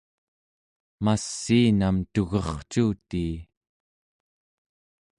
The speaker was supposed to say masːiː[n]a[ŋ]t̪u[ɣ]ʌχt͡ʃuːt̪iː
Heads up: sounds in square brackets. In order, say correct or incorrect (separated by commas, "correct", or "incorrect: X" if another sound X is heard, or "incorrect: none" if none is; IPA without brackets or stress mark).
correct, incorrect: m, correct